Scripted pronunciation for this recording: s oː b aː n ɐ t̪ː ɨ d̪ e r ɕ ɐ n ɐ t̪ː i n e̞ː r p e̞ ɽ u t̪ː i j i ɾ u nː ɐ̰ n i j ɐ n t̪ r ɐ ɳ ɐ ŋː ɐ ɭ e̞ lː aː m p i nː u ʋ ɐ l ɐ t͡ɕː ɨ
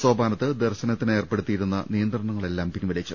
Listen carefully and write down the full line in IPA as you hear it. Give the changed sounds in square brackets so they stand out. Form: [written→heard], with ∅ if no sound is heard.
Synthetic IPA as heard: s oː b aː n ɐ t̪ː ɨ d̪ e r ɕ ɐ n ɐ t̪ː i n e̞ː r p e̞ ɽ u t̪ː i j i ɾ u nː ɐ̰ n i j ɐ n [t̪→d̪] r ɐ ɳ ɐ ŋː ɐ ɭ e̞ lː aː m p i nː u ʋ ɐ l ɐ t͡ɕː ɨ